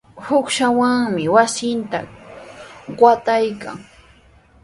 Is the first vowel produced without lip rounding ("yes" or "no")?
no